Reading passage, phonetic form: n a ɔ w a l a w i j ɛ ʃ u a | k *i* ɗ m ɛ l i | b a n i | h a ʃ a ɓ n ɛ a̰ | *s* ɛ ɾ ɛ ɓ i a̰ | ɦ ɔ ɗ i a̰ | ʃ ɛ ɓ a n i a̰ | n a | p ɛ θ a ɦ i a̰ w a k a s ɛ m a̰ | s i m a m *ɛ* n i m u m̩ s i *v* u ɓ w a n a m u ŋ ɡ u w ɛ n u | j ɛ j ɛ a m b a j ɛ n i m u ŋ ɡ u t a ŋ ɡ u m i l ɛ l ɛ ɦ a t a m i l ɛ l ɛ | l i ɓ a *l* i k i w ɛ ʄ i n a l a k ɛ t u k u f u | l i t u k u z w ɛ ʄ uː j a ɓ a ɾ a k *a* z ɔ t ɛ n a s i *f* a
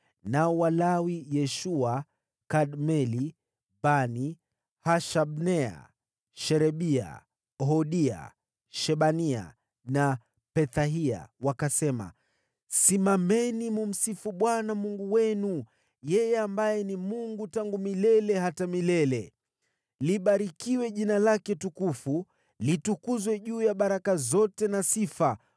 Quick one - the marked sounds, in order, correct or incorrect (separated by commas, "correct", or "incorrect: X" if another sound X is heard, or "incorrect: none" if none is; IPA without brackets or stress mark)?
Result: incorrect: a, incorrect: ʃ, correct, incorrect: f, incorrect: ɾ, correct, correct